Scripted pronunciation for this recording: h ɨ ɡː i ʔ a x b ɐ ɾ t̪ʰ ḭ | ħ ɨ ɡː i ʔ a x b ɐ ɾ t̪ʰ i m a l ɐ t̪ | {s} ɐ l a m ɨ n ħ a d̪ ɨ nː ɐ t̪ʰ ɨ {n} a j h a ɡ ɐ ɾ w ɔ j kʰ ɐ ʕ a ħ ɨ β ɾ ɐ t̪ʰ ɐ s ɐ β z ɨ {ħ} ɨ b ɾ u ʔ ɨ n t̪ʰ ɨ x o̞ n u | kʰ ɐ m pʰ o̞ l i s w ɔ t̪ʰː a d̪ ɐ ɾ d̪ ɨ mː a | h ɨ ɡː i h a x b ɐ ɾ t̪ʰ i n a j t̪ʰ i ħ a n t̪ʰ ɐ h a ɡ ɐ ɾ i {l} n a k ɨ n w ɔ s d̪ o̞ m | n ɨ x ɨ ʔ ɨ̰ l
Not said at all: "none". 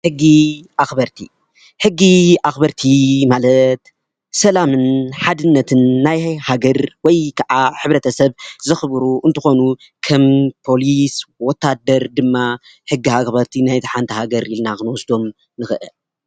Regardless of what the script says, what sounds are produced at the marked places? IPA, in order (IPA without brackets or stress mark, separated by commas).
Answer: s, nː, x, l